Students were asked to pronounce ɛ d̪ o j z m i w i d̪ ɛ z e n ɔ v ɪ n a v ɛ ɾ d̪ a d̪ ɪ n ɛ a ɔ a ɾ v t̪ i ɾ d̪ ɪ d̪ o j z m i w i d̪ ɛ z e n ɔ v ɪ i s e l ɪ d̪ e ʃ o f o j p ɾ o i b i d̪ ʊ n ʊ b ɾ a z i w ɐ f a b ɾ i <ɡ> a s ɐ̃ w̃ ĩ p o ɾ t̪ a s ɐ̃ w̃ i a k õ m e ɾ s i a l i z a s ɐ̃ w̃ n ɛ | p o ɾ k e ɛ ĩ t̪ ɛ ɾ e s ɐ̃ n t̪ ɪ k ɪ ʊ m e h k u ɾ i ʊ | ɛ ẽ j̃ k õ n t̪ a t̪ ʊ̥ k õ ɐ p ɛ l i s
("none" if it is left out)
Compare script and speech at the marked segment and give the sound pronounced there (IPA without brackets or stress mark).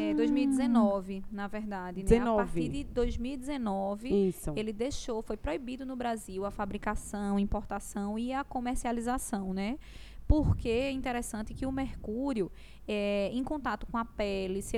k